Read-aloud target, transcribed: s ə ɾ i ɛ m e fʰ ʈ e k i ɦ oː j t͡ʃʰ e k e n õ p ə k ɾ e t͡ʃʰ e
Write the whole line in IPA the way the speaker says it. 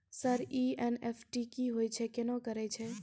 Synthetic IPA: s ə ɾ i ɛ n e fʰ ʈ i k i ɦ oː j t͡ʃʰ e k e n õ k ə ɾ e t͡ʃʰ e